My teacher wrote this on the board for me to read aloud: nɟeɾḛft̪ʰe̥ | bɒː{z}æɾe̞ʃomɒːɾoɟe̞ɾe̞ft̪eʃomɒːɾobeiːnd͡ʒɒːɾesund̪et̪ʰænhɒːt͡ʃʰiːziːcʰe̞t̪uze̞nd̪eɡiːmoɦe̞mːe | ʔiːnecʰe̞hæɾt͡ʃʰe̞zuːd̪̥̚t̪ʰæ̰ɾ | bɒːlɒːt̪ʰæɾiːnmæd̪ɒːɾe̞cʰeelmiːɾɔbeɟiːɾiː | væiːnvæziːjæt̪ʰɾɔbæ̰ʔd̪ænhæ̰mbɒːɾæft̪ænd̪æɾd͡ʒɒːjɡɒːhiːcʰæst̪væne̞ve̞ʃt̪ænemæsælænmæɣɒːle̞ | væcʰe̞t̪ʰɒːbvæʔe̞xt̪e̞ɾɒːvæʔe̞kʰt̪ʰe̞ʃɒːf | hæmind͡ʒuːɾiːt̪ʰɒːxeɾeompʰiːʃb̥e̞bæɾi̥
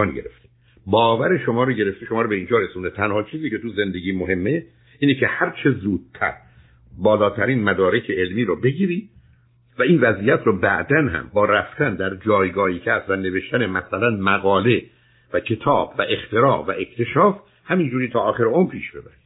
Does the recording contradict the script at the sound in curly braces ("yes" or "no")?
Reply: yes